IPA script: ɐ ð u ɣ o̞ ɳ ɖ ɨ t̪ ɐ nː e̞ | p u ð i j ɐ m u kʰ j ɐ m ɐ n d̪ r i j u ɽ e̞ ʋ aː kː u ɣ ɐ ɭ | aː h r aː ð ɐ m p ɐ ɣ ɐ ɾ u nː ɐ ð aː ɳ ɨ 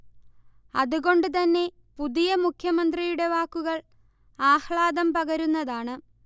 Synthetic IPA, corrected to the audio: ɐ ð u ɣ o̞ ɳ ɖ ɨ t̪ ɐ nː e̞ | p u ð i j ɐ m u kʰ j ɐ m ɐ n d̪ r i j u ɽ e̞ ʋ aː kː u ɣ ɐ ɭ | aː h ɭ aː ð ɐ m p ɐ ɣ ɐ ɾ u nː ɐ ð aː ɳ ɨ